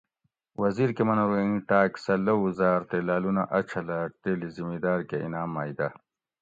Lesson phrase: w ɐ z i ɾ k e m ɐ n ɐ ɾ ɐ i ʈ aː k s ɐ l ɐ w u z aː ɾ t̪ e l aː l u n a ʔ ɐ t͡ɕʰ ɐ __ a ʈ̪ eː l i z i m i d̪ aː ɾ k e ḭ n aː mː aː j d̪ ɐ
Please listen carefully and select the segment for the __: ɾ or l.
l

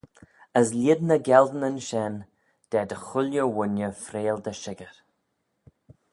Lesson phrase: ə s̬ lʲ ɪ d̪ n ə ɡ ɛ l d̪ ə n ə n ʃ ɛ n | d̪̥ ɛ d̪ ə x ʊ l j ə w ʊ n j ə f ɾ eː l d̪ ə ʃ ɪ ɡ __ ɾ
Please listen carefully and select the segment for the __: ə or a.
ə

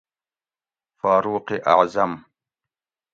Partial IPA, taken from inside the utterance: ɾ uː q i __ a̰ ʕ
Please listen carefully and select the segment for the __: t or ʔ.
ʔ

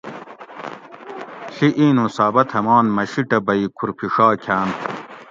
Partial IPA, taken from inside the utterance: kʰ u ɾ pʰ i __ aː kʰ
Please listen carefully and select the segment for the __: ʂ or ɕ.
ʂ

